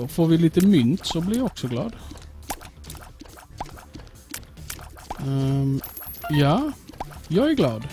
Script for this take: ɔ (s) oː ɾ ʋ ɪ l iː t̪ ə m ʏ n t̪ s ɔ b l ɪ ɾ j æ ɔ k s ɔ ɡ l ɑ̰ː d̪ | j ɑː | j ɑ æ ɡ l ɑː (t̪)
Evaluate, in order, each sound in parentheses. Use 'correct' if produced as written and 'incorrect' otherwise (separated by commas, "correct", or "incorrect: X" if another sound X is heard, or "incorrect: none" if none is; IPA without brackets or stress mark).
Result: incorrect: f, incorrect: d̪